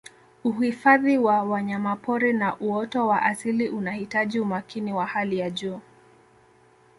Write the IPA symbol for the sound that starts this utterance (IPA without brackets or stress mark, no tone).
u